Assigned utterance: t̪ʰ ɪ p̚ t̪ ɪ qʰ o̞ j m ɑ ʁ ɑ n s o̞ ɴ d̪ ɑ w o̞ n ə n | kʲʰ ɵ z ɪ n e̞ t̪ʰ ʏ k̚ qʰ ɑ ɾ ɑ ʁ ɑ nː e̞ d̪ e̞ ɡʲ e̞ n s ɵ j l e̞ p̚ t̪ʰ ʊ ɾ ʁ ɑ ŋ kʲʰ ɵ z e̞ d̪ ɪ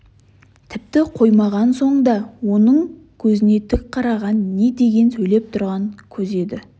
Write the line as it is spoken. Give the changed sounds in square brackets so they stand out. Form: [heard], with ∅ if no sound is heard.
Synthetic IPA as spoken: t̪ʰ ɪ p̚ t̪ ɪ qʰ o̞ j m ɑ ʁ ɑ n s o̞ ɴ d̪ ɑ w o̞ n ə [ɴ] | kʲʰ ɵ z ɪ n e̞ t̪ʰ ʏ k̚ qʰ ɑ ɾ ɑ ʁ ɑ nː e̞ d̪ e̞ ɡʲ e̞ n s ɵ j l e̞ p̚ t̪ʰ ʊ ɾ ʁ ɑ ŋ kʲʰ ɵ z e̞ d̪ ɪ

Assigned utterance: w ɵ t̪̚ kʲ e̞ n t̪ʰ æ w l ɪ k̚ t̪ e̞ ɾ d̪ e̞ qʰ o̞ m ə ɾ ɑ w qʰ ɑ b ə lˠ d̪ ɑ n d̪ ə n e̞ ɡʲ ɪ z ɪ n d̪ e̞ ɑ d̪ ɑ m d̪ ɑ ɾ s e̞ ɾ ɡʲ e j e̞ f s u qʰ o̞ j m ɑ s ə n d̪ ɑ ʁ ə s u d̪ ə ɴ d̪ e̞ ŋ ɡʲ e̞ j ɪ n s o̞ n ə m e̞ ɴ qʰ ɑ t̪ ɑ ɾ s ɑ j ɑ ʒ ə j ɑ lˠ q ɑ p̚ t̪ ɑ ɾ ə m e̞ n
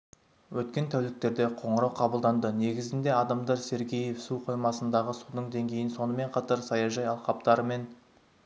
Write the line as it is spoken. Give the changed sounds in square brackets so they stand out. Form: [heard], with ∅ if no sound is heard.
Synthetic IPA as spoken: w ɵ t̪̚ kʲ e̞ n t̪ʰ æ w l ɪ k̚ t̪ e̞ ɾ d̪ e̞ qʰ o̞ [ɴ] ə ɾ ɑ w qʰ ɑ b ə lˠ d̪ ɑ n d̪ ə n e̞ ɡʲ ɪ z ɪ n d̪ e̞ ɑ d̪ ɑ m d̪ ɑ ɾ s e̞ ɾ ɡʲ e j e̞ f s u qʰ o̞ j m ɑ s ə n d̪ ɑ ʁ ə s u d̪ ə ɴ d̪ e̞ ŋ ɡʲ e̞ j ɪ n s o̞ n ə m e̞ ɴ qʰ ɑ t̪ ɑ ɾ s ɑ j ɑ ʒ [ɑ] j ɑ lˠ q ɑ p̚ t̪ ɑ ɾ ə m e̞ n

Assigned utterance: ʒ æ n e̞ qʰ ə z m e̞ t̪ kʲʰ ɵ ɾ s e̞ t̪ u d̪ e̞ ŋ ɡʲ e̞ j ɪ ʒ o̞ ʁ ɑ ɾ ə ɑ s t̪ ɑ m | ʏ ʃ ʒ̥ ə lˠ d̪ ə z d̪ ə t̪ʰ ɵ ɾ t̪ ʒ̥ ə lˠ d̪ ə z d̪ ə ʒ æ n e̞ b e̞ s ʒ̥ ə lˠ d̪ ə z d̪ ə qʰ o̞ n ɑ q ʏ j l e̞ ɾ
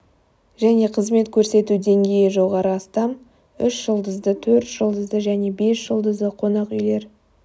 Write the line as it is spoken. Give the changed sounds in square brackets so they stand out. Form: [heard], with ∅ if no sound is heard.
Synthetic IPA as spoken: ʒ æ n e̞ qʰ ə z m e̞ t̪ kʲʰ ɵ ɾ s e̞ t̪ u d̪ e̞ ŋ ɡʲ e̞ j ɪ ʒ o̞ ʁ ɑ ɾ ə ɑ s t̪ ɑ m | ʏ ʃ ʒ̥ ə lˠ d̪ ə z d̪ ə t̪ʰ ɵ ɾ t̪ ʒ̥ ə lˠ d̪ ə z d̪ ə ʒ æ n e̞ b e̞ s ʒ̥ ə lˠ d̪ ə z d̪ ə qʰ o̞ n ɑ q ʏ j l e̞ ɾ

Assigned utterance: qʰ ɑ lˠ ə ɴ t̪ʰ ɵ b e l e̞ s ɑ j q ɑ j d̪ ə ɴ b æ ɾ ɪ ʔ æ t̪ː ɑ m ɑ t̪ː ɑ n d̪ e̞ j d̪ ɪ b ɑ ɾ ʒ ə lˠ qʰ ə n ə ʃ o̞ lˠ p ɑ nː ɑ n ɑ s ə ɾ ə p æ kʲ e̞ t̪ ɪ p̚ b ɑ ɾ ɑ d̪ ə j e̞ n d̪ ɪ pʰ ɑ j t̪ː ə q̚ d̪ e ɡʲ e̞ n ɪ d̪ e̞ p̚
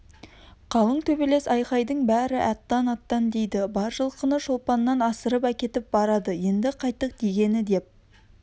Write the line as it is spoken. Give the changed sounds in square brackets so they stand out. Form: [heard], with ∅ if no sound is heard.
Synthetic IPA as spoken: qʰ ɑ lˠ ə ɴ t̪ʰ ɵ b e l e̞ s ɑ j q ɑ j d̪ ə ɴ b æ ɾ ɪ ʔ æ t̪ː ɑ [n] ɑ t̪ː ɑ n d̪ e̞ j d̪ ɪ b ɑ ɾ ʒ ə lˠ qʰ ə n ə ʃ o̞ lˠ p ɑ nː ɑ n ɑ s ə ɾ ə p æ kʲ e̞ t̪ ɪ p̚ b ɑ ɾ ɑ d̪ ə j e̞ n d̪ ɪ [qʰ] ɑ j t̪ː ə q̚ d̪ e ɡʲ e̞ n ɪ d̪ e̞ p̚

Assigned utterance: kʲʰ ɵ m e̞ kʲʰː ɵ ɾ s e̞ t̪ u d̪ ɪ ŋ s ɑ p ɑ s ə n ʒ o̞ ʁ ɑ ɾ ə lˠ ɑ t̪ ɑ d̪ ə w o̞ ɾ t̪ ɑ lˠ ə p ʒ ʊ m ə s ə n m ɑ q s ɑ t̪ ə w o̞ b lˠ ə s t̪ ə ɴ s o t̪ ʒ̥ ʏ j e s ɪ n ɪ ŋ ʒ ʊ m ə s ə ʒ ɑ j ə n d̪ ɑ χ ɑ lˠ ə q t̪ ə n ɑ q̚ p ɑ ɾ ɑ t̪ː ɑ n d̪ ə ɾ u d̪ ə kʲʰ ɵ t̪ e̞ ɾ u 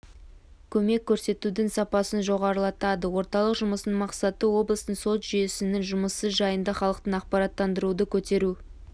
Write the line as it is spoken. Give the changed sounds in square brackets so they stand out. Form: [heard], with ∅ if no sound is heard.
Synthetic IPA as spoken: kʲʰ ɵ m e̞ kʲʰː ɵ ɾ s e̞ t̪ u d̪ ɪ ŋ s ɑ p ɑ s ə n ʒ o̞ ʁ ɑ ɾ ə lˠ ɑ t̪ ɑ d̪ ə w o̞ ɾ t̪ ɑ lˠ ə [q] ʒ ʊ m ə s ə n m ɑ q s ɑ t̪ ə w o̞ b lˠ ə s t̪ ə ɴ s o t̪ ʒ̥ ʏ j e s ɪ n ɪ ŋ ʒ ʊ m ə s ə ʒ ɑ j ə n d̪ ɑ χ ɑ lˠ ə q t̪ ə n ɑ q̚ p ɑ ɾ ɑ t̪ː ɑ n d̪ ə ɾ u d̪ ə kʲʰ ɵ t̪ e̞ ɾ u

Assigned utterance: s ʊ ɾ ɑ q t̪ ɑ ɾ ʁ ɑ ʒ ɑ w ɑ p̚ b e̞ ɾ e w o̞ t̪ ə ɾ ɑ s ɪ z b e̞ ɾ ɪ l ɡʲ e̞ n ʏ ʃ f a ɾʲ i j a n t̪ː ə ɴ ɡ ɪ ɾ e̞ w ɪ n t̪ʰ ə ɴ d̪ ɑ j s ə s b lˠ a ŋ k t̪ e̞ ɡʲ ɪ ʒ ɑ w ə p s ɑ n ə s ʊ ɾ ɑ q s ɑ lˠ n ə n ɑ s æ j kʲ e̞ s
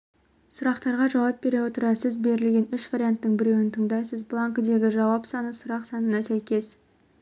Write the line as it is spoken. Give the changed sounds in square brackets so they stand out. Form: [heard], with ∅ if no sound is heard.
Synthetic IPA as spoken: s ʊ ɾ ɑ q t̪ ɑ ɾ ʁ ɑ ʒ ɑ w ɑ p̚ b e̞ ɾ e w o̞ t̪ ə ɾ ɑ s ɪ z b e̞ ɾ ɪ l ɡʲ e̞ n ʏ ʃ [v] a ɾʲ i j a n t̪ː ə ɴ [b] ɪ ɾ e̞ w ɪ n t̪ʰ ə ɴ d̪ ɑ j s ə [z] b lˠ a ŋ k [d̪] e̞ ɡʲ ɪ ʒ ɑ w [ɑ] p s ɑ n ə s ʊ ɾ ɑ q s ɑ [∅] n ə n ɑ s æ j kʲ e̞ s

